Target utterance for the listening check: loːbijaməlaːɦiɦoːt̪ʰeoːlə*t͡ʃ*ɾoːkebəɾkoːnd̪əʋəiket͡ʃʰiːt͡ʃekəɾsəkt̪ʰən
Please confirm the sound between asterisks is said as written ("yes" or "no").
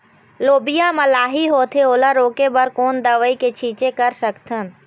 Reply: no